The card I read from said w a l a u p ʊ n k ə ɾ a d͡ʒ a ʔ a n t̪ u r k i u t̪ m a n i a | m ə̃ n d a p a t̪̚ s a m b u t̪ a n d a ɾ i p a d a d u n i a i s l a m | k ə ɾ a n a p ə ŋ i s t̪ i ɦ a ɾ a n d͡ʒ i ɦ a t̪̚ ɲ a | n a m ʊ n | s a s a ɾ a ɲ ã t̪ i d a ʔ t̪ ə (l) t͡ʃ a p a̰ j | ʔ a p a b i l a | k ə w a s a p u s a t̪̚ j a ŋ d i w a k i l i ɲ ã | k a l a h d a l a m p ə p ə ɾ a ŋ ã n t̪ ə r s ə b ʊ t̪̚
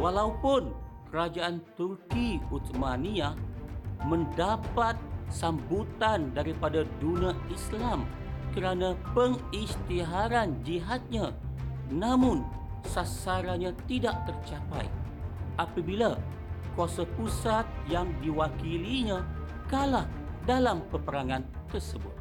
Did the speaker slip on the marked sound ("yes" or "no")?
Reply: yes